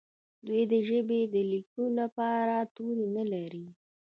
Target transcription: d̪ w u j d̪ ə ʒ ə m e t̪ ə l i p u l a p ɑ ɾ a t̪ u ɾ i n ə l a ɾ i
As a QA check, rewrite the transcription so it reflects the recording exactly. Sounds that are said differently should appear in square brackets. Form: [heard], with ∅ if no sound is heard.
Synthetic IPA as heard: d̪ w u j d̪ ə ʒ ə [b] e [d̪] ə l i [k] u l a p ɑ ɾ a t̪ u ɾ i n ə l a ɾ i